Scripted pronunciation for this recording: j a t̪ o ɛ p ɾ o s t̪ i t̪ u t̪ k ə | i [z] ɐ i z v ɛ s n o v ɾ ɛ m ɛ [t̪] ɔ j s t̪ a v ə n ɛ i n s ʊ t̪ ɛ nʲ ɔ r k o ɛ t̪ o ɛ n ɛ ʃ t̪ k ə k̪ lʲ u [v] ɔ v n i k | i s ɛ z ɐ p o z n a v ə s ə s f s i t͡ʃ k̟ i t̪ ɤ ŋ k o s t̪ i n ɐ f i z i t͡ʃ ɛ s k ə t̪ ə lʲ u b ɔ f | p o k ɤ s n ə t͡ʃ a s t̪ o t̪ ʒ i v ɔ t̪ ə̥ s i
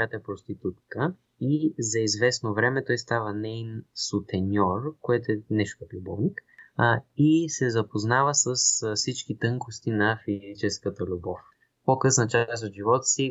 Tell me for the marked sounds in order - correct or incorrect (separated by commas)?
correct, correct, incorrect